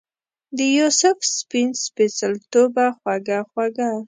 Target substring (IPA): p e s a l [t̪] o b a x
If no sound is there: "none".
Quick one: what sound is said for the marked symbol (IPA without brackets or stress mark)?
t̪